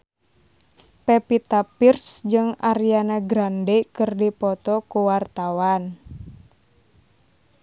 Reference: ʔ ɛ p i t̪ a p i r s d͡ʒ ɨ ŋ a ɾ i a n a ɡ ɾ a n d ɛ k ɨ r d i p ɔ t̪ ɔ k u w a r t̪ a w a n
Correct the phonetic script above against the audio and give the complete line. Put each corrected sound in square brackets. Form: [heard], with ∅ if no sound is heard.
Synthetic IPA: [p] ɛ p i t̪ a p i r s d͡ʒ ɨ ŋ a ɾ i a n a ɡ ɾ a n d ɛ k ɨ r d i p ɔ t̪ ɔ k u w a r t̪ a w a n